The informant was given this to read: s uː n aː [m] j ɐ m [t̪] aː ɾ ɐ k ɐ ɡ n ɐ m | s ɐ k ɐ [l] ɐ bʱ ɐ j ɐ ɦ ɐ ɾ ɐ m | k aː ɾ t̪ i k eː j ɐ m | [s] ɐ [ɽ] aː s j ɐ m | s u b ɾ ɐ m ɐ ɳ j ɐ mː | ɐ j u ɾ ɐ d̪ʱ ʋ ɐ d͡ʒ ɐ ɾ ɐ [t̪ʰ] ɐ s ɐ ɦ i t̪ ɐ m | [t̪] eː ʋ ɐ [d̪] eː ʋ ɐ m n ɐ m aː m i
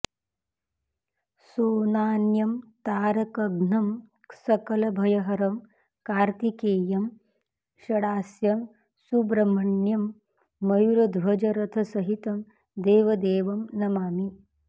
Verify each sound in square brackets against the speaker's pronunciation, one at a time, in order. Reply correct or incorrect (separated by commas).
incorrect, correct, correct, incorrect, correct, correct, incorrect, correct